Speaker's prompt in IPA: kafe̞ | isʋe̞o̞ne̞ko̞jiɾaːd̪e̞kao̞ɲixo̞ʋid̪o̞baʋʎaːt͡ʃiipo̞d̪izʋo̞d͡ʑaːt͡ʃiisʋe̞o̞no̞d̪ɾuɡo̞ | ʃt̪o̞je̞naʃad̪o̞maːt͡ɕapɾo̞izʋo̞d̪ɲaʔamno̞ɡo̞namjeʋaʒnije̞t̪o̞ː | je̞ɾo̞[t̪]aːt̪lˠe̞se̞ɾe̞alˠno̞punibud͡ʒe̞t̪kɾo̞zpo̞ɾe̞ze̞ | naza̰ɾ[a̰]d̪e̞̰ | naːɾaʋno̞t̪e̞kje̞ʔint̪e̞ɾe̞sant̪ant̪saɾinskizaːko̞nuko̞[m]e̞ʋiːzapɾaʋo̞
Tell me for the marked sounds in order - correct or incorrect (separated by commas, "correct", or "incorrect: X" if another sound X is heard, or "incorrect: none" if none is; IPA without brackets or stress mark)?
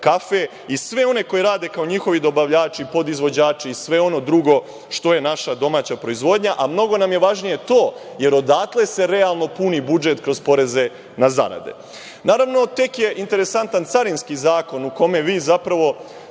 incorrect: d̪, correct, correct